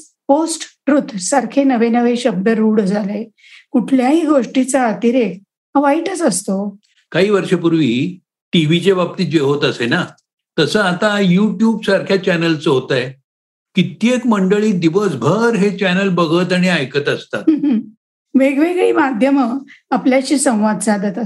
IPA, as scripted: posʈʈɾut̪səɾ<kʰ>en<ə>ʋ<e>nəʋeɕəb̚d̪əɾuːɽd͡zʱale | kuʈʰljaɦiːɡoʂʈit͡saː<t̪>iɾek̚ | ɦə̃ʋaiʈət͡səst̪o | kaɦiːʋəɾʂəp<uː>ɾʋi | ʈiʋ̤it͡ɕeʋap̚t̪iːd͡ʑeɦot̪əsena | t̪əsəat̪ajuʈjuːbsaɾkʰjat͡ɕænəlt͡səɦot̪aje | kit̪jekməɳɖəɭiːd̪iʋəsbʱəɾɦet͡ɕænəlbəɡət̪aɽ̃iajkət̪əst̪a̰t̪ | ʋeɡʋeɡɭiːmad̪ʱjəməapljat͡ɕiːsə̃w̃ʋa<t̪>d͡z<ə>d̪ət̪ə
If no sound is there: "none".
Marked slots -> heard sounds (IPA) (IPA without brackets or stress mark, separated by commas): kʰ, ə, e, t̪, u, d̪, a